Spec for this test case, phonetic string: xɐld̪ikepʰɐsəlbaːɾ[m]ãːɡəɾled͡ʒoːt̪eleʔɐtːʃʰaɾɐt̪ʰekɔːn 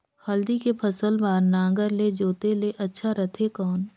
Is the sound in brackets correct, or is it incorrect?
incorrect